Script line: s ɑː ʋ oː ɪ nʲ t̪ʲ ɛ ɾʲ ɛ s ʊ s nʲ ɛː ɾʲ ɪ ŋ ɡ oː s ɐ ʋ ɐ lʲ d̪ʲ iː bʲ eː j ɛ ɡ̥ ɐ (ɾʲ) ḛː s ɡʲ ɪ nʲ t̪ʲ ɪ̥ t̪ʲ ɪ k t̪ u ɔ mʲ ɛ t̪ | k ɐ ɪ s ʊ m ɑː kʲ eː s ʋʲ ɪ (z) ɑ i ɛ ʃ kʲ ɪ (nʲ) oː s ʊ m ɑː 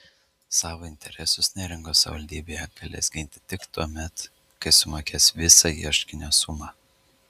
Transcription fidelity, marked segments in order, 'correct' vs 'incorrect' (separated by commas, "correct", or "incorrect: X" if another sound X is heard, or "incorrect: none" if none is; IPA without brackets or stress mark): incorrect: lʲ, incorrect: s, correct